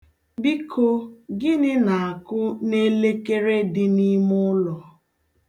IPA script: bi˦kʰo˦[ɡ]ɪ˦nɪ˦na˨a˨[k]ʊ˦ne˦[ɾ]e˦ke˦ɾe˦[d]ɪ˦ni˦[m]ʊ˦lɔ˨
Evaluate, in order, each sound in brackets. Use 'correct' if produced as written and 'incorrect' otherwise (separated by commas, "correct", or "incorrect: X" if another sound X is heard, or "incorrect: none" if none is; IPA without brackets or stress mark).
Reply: correct, correct, incorrect: l, correct, correct